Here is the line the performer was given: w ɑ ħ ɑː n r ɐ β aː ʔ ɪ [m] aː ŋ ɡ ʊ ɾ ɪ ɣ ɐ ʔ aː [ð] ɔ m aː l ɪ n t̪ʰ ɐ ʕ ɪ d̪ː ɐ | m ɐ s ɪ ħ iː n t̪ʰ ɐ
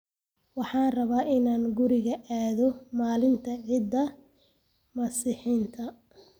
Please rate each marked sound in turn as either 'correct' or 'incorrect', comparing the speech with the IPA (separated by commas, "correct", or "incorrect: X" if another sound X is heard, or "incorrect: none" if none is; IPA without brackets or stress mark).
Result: incorrect: n, correct